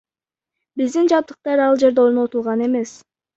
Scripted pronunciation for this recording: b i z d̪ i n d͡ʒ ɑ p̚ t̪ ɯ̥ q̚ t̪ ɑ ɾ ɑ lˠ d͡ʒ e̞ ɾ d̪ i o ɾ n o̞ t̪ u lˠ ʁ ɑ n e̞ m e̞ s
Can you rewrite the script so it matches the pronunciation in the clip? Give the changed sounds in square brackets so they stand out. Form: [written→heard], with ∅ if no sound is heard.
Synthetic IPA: b i z d̪ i n d͡ʒ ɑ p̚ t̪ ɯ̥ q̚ t̪ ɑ ɾ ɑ lˠ d͡ʒ e̞ ɾ d̪ [i→e] o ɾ n o̞ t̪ u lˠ ʁ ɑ n e̞ m e̞ s